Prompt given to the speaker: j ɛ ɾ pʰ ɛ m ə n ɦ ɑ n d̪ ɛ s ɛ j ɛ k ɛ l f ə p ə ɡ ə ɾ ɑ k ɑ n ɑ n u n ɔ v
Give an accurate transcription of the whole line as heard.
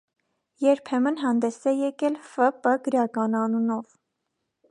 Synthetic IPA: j ɛ ɾ pʰ ɛ m ə n ɦ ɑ n d̪ ɛ s ɛ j ɛ k ɛ l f ə p ə ɡ ə ɾ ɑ k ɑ n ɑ n u n ɔ v